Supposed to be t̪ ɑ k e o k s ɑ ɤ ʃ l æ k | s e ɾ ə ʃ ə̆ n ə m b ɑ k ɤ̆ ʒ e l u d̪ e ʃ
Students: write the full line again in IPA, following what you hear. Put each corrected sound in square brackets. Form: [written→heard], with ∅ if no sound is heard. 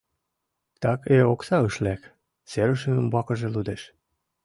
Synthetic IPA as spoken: t̪ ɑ k e o k s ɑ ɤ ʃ l æ k | s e ɾ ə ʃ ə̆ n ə m b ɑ k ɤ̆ ʒ e l u d̪ e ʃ